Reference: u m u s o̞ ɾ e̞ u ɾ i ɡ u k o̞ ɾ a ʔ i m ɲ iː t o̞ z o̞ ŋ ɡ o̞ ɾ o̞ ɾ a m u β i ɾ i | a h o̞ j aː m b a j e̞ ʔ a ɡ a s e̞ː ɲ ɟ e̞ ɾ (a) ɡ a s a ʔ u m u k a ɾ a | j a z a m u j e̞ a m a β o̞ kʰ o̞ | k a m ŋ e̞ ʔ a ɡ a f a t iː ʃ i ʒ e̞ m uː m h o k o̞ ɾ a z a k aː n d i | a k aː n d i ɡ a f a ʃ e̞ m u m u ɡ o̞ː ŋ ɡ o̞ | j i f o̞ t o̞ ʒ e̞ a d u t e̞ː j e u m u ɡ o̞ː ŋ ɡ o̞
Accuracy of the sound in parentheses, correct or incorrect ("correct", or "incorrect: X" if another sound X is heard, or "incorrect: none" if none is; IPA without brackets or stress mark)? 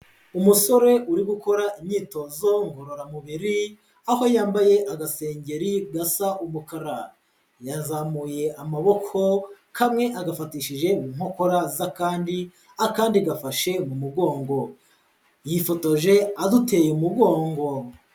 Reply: incorrect: i